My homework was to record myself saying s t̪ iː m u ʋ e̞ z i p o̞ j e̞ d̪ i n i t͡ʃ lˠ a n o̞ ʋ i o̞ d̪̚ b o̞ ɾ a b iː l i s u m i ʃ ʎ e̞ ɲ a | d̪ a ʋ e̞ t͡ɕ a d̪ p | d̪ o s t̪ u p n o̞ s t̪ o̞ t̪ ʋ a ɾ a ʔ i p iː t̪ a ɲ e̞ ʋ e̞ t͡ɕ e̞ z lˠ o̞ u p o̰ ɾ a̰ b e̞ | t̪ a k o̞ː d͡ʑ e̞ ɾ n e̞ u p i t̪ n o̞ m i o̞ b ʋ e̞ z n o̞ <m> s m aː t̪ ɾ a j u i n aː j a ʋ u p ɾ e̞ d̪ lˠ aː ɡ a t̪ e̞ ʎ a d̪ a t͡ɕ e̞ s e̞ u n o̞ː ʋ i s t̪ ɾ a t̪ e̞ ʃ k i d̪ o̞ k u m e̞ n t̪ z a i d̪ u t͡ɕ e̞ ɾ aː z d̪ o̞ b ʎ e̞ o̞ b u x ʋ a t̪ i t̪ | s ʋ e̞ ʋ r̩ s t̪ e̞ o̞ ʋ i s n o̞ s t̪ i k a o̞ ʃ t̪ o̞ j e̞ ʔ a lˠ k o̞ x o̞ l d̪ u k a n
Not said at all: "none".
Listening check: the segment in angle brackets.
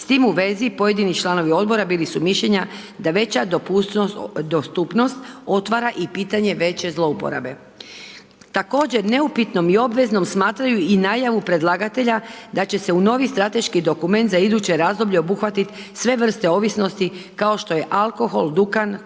m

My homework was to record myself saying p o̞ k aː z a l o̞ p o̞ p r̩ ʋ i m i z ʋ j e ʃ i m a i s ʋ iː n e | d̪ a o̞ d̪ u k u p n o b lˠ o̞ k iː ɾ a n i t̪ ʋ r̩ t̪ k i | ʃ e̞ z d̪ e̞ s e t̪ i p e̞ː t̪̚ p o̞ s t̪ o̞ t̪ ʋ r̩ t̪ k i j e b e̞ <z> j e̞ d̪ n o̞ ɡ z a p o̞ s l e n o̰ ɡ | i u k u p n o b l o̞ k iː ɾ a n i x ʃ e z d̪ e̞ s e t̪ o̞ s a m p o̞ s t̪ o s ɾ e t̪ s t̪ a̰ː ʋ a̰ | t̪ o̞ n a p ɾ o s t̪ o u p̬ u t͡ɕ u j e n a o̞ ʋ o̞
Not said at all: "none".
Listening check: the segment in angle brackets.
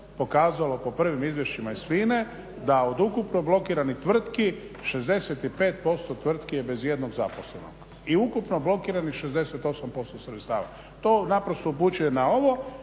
z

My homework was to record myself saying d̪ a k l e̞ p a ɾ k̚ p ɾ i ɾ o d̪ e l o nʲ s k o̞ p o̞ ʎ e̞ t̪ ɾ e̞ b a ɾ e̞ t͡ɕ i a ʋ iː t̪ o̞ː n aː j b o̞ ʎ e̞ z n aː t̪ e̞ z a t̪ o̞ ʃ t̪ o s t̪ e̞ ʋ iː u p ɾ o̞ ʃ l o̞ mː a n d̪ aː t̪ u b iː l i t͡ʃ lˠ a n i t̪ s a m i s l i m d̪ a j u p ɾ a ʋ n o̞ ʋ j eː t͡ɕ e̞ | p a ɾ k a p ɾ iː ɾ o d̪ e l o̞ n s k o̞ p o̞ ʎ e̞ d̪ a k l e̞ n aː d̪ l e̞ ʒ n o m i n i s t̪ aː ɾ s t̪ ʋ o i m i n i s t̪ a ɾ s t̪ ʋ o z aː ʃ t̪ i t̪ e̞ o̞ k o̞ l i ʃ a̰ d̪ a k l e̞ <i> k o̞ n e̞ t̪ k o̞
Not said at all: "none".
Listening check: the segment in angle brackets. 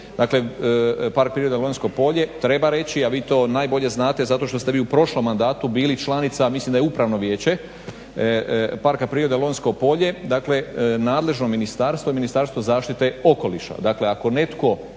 a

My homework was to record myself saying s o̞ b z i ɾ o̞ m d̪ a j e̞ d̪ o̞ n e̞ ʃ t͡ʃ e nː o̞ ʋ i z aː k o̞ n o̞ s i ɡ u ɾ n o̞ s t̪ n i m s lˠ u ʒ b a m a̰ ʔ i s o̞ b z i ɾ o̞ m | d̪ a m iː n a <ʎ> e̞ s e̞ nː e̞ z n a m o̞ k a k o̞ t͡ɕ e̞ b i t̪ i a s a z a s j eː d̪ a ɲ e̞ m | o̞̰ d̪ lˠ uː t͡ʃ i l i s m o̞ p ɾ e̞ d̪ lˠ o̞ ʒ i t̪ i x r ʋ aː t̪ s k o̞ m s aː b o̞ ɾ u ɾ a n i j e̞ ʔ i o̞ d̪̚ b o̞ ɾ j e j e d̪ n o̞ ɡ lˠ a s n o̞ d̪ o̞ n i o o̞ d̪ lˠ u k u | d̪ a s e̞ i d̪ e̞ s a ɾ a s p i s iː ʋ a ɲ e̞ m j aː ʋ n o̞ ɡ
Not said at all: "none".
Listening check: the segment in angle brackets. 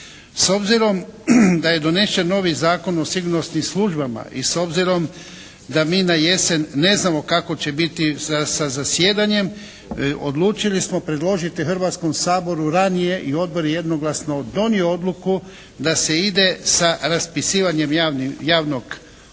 j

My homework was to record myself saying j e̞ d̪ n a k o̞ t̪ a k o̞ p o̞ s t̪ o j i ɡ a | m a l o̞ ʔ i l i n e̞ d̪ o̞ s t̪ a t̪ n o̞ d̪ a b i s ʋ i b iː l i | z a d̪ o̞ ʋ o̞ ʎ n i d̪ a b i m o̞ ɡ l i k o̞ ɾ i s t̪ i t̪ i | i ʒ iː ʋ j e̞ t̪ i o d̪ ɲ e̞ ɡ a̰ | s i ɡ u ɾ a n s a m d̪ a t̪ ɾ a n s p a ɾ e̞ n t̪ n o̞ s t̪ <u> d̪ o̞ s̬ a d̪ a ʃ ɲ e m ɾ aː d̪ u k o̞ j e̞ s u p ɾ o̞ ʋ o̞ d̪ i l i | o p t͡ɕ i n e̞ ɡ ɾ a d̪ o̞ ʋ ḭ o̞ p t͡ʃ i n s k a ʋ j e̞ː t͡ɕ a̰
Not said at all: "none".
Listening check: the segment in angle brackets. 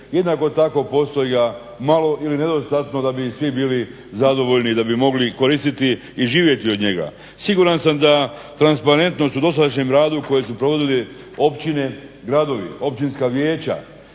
u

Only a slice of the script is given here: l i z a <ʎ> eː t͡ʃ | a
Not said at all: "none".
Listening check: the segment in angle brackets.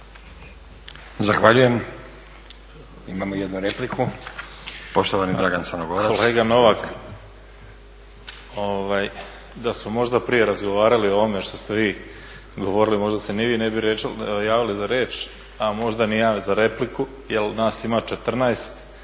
ɾ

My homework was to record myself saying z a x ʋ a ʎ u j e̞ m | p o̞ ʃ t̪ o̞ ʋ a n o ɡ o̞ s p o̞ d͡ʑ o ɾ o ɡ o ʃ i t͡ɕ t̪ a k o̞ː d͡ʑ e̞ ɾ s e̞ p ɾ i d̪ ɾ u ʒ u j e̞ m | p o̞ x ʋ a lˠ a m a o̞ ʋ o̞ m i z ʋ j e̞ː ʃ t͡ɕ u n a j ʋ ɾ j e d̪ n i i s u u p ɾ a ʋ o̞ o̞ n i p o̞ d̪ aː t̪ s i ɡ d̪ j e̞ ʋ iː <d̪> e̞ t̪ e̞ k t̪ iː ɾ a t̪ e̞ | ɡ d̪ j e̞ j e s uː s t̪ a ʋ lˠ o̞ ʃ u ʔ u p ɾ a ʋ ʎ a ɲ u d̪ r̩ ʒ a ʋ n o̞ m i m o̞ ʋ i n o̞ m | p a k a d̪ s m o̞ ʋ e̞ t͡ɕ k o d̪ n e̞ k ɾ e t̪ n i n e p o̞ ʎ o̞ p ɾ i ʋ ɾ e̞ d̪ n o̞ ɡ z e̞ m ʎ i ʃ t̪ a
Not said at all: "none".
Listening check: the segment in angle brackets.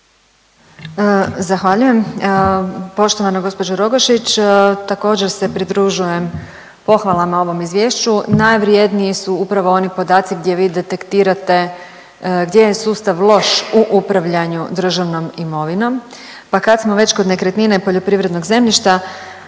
d̪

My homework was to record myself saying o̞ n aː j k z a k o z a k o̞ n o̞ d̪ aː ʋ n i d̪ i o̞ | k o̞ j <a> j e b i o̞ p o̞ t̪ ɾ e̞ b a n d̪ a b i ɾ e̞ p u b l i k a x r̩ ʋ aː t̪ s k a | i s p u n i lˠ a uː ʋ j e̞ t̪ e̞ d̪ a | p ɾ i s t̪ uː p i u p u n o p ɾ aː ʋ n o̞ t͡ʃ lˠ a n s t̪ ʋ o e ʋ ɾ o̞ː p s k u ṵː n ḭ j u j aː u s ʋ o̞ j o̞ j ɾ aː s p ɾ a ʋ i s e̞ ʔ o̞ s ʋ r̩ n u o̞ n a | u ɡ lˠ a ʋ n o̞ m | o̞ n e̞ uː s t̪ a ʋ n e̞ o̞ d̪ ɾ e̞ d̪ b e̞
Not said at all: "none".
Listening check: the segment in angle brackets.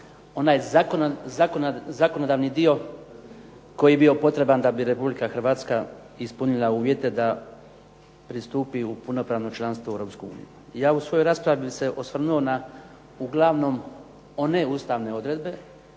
i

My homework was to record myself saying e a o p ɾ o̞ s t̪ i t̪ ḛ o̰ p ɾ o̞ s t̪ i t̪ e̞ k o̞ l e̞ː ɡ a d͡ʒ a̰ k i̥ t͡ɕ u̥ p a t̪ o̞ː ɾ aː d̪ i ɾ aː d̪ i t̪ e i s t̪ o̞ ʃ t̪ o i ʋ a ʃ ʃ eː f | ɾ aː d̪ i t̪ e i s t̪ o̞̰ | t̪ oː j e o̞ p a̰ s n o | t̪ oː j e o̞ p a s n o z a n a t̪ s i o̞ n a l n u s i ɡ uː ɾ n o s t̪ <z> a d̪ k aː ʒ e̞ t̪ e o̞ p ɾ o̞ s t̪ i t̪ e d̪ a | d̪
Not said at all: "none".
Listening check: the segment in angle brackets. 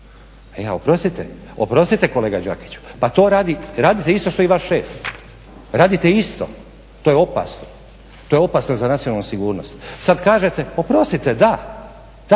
s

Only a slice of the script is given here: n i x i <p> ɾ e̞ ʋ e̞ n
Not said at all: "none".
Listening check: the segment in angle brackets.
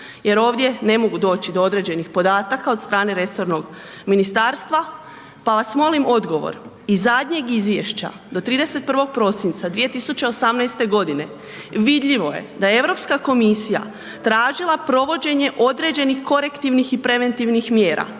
p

